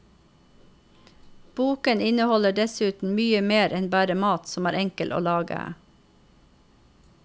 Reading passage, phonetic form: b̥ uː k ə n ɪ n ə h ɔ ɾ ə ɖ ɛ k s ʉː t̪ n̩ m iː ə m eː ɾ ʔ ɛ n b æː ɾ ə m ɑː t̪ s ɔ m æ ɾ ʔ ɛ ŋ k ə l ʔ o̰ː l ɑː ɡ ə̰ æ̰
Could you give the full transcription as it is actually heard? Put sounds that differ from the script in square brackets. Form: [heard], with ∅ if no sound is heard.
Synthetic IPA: b̥ uː k ə n ɪ n ə h ɔ [l] ə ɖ ɛ [∅] s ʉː t̪ n̩ m [yː] ə m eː ɾ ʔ ɛ n b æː ɾ ə m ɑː t̪ s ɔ m [æː] ɾ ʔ ɛ ŋ k ə l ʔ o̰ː l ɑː ɡ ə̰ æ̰